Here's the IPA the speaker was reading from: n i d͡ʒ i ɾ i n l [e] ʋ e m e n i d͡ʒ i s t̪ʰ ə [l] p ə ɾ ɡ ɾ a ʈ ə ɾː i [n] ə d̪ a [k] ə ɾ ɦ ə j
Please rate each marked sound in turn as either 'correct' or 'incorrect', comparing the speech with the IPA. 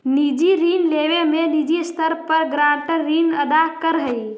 correct, incorrect, correct, correct

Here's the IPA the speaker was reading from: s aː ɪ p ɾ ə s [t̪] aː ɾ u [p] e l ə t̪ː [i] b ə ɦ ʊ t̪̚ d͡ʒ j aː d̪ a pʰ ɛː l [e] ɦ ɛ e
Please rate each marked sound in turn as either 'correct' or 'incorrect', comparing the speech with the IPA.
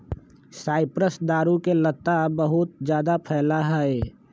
incorrect, incorrect, incorrect, incorrect

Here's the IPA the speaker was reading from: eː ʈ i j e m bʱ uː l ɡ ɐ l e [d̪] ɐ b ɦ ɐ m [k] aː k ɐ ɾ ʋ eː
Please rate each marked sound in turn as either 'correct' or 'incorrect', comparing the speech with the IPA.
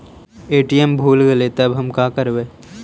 incorrect, correct

